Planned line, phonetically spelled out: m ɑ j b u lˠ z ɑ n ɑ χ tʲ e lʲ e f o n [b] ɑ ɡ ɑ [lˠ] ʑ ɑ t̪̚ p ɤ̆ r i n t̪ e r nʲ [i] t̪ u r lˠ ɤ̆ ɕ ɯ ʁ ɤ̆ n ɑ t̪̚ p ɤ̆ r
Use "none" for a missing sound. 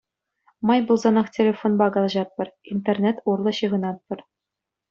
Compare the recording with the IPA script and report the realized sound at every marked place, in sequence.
b, lˠ, e

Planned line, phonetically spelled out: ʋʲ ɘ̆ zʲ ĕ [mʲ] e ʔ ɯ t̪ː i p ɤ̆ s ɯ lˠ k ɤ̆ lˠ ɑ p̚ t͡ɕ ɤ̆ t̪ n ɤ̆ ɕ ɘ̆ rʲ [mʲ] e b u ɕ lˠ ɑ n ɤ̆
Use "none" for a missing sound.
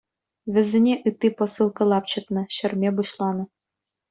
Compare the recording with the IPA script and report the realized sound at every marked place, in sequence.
nʲ, mʲ

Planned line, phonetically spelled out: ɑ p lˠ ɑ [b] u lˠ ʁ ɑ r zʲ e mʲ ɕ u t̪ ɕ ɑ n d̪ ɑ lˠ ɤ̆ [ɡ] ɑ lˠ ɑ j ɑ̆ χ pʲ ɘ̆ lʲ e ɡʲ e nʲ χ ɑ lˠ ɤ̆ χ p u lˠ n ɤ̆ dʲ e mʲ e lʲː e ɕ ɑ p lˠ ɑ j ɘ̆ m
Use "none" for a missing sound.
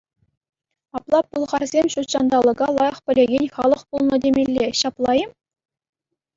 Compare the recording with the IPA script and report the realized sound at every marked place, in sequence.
p, ɡ

